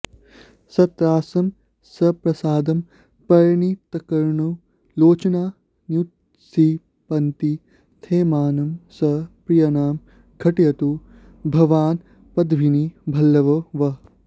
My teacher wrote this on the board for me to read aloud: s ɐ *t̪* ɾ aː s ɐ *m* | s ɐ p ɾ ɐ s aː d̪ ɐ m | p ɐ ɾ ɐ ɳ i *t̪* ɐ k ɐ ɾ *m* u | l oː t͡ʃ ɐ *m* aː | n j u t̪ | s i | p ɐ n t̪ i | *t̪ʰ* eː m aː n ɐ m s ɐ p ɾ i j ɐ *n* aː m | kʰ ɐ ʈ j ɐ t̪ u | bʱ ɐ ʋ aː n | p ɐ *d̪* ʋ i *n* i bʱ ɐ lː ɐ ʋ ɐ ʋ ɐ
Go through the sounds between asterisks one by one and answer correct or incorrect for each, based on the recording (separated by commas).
correct, correct, correct, incorrect, incorrect, correct, correct, correct, correct